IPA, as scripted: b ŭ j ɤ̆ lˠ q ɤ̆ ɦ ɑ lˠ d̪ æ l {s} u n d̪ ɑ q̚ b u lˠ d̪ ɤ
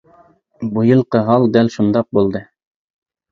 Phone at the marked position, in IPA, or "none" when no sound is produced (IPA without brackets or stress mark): ʃ